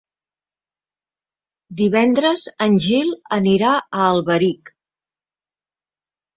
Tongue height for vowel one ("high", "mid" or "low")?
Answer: high